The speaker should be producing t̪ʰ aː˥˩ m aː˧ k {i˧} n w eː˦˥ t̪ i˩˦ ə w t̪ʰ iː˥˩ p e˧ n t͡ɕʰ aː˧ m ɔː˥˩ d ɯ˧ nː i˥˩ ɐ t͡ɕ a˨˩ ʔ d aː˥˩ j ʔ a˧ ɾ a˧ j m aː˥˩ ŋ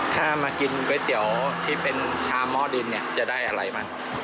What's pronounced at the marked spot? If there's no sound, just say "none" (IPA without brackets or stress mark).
i˧